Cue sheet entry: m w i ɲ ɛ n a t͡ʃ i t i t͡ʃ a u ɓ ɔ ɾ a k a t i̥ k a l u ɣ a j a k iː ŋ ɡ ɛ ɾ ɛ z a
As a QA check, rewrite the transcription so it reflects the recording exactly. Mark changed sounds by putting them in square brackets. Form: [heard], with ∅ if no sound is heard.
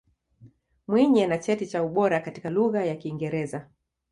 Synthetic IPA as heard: m w i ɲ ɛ n a t͡ʃ [ɛ] t i t͡ʃ a u ɓ ɔ ɾ a k a t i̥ k a l u ɣ a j a k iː ŋ ɡ ɛ ɾ ɛ z a